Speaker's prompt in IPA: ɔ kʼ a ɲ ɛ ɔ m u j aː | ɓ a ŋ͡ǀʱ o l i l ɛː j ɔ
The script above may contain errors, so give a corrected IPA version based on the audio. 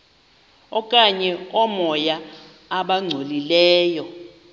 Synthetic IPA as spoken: ɔ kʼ a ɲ ɛ ɔ m ɔ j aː | ɓ a ŋ͡ǀʱ o l i l ɛː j ɔ